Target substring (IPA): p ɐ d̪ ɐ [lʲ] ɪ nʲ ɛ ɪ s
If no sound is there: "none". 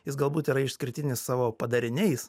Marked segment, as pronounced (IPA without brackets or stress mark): ɾʲ